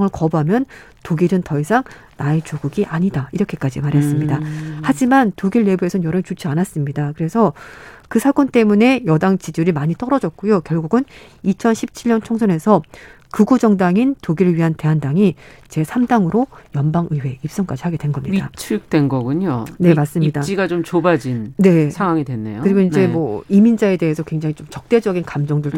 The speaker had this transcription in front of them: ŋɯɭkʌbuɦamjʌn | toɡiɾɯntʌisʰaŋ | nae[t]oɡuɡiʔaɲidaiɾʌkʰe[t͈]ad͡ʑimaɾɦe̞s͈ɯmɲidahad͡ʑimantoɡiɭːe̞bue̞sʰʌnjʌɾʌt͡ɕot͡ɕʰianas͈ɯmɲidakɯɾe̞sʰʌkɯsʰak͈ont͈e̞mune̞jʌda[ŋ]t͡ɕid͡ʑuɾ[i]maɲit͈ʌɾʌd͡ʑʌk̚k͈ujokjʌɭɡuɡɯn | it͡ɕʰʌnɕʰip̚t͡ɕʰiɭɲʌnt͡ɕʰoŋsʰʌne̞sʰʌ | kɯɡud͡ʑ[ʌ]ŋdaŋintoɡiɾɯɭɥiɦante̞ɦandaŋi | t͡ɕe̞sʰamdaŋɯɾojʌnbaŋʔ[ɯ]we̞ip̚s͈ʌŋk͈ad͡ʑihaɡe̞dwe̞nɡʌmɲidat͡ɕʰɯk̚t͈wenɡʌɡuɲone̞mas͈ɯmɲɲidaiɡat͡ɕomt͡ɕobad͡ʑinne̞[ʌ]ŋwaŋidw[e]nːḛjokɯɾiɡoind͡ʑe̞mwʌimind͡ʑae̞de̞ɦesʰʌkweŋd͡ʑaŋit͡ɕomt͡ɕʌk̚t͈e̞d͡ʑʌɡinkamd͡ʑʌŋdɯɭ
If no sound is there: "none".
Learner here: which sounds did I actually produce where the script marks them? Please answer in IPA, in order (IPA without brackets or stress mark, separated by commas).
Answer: t͡ɕ, k͈, ŋ, i, ʌ, ɯ, a, e